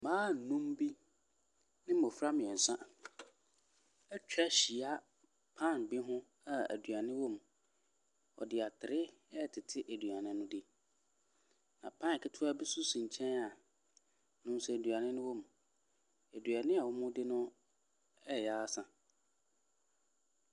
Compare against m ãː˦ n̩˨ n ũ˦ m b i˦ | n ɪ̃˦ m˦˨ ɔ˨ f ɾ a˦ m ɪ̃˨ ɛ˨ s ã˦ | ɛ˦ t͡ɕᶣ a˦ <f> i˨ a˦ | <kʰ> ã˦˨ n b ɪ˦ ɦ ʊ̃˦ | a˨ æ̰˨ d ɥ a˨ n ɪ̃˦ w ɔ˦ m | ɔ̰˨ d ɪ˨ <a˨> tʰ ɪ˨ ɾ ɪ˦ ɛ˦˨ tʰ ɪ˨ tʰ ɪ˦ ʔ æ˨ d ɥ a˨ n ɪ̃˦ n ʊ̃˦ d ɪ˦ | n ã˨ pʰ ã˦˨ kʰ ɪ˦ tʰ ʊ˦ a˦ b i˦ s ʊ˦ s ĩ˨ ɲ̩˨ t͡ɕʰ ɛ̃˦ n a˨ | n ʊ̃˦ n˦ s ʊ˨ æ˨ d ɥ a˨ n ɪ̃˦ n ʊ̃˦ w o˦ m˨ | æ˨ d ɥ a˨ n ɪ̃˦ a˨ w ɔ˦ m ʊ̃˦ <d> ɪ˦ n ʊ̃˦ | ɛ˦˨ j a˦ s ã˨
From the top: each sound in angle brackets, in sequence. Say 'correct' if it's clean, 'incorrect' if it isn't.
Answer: incorrect: ɕ, incorrect: pʰ, correct, correct

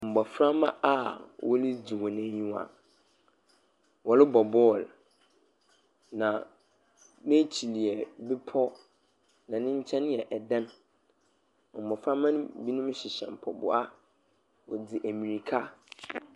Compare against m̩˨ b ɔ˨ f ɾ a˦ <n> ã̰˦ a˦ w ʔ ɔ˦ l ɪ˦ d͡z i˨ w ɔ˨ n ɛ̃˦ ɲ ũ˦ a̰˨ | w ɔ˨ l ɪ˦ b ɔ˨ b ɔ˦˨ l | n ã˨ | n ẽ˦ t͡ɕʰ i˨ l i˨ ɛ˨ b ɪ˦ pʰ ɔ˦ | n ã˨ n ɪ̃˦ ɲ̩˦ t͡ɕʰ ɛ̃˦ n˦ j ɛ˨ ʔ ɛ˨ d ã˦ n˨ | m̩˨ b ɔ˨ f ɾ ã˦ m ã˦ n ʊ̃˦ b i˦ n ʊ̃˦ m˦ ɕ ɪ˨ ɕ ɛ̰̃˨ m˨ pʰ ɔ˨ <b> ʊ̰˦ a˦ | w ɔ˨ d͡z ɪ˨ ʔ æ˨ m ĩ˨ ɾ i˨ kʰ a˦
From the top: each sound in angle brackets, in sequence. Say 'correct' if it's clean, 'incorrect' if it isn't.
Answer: incorrect: m, correct

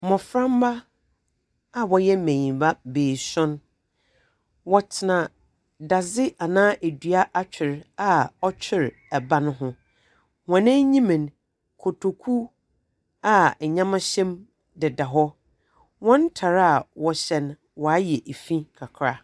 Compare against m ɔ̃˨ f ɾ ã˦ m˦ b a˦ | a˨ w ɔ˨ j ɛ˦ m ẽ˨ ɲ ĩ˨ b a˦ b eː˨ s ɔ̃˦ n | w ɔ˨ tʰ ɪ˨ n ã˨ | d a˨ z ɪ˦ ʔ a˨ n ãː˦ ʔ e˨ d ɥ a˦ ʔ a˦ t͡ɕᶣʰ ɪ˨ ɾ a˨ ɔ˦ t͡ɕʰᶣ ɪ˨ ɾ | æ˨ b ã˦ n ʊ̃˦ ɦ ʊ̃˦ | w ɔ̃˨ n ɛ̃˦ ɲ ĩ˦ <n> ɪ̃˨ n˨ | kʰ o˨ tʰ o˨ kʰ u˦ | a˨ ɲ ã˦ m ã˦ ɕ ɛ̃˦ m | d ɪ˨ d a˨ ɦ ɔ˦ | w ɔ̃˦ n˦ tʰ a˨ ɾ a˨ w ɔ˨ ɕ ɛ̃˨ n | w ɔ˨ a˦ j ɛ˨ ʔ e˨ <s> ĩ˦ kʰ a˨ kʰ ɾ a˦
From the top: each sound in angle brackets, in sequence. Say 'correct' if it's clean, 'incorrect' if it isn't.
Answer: incorrect: m, incorrect: f

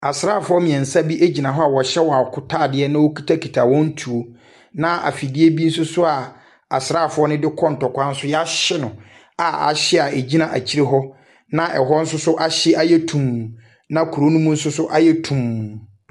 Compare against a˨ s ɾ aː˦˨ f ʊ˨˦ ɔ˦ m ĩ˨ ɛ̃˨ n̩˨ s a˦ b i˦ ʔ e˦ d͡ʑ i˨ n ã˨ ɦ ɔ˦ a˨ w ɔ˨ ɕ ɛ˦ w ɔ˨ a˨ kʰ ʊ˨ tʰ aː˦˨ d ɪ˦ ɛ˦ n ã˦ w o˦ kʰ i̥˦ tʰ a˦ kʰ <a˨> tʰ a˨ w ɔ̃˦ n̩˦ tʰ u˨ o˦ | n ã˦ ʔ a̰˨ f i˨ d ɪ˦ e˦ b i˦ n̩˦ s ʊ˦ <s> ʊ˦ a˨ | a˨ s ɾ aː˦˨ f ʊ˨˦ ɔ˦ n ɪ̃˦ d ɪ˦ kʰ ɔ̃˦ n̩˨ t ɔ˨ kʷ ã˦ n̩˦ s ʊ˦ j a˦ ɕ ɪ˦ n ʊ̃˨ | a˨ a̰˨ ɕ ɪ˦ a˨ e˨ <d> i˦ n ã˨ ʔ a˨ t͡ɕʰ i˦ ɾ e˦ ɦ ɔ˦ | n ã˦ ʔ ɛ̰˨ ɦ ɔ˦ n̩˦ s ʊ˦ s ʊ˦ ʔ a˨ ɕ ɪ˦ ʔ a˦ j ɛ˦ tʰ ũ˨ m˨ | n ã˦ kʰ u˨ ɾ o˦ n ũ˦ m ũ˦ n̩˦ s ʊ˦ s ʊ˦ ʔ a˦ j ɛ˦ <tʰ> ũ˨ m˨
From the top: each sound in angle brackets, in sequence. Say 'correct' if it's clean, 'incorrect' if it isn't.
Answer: incorrect: i˨, correct, incorrect: d͡ʑ, correct

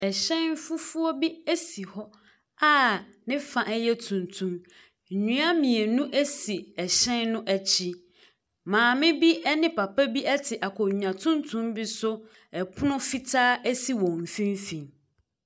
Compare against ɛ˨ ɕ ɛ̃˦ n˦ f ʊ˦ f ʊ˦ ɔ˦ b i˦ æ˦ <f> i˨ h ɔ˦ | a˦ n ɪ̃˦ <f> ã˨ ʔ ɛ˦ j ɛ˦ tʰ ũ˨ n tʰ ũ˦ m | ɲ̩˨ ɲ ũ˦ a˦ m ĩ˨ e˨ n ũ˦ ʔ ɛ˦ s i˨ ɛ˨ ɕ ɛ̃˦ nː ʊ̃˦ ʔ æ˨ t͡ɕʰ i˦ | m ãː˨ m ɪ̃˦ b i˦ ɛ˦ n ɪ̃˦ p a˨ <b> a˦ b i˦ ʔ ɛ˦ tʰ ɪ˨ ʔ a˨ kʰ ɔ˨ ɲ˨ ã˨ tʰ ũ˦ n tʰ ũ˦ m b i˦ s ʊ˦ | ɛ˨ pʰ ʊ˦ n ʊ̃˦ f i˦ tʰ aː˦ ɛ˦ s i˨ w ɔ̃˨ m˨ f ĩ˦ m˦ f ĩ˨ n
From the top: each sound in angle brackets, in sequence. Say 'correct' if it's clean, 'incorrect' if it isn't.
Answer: incorrect: s, correct, incorrect: p

